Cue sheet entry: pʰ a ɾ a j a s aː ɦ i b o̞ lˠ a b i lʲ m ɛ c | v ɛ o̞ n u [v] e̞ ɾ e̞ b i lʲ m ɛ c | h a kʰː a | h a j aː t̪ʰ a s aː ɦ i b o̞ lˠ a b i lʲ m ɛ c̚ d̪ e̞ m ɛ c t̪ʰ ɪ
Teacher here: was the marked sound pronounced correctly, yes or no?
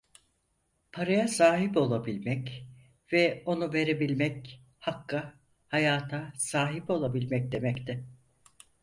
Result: yes